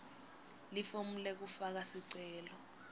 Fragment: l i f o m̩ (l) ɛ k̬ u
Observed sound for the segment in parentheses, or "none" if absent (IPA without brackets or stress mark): l